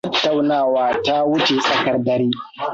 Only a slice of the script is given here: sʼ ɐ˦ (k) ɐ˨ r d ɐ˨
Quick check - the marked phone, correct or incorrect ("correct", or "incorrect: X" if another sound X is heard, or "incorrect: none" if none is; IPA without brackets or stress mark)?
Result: correct